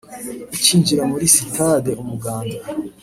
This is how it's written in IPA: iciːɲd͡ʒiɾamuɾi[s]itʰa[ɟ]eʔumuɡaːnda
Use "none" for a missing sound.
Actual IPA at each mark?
s, d

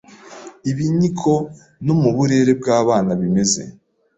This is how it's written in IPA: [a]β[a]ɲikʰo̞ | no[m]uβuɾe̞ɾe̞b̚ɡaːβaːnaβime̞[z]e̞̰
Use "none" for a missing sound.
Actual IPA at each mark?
i, i, m, z

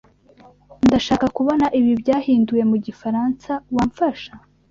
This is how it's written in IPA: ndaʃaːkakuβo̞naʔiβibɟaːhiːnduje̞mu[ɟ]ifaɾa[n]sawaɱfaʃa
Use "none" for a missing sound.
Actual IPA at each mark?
ɟ, n

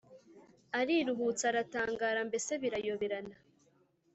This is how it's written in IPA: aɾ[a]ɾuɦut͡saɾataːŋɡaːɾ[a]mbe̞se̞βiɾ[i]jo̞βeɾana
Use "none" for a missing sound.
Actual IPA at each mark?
i, a, a

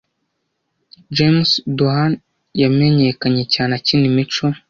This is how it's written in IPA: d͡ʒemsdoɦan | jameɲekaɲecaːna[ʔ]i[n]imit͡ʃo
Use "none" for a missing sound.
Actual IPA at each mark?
c, n

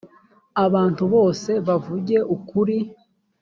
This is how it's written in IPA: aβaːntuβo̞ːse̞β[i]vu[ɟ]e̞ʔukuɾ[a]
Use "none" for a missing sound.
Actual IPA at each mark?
a, ɟ, i

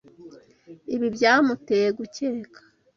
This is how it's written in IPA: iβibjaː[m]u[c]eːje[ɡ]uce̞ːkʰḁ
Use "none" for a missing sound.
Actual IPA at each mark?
m, t, ɡ

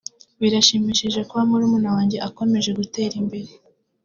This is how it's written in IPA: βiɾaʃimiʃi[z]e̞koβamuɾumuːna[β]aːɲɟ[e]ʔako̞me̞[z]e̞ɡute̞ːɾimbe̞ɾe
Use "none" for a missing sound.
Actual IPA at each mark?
ʒ, w, e, ʒ

